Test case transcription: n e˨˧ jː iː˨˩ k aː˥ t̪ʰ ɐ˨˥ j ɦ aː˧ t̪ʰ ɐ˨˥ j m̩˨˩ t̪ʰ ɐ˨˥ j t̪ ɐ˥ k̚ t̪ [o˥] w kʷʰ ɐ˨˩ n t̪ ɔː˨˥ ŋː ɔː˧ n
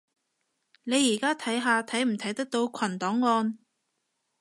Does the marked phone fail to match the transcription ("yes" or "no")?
yes